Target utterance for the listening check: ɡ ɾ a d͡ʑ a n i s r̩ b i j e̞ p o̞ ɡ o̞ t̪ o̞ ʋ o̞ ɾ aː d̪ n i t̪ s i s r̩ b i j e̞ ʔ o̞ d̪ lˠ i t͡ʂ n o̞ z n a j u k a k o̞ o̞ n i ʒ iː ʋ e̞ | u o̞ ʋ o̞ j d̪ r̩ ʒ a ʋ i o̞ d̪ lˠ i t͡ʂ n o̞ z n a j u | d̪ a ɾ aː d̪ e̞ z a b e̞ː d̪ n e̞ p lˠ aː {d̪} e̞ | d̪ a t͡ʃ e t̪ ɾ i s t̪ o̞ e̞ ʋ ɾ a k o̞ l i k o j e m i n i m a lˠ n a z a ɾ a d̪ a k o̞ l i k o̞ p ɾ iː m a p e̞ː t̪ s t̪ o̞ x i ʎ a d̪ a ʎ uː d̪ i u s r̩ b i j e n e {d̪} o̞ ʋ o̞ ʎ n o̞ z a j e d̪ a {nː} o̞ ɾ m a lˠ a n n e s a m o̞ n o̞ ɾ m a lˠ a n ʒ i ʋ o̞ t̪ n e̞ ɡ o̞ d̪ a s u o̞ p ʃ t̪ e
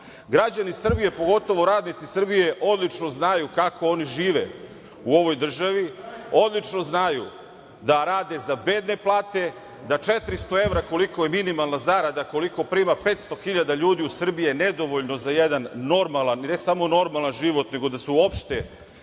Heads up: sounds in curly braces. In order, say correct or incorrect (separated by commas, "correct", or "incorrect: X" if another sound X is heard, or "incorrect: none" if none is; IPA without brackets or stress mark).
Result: incorrect: t̪, correct, correct